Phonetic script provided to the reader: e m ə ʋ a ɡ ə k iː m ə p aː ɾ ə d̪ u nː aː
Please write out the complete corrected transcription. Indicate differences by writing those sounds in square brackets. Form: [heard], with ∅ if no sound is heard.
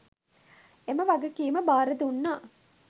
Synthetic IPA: e m ə ʋ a ɡ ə k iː m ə [b] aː ɾ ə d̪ u nː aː